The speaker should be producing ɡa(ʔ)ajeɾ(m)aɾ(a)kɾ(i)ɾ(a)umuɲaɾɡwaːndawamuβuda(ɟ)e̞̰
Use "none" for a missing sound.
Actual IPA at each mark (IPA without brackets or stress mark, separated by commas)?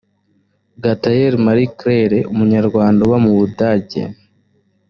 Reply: t, m, i, e, e, ɟ